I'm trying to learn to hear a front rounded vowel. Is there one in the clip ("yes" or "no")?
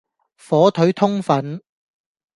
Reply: no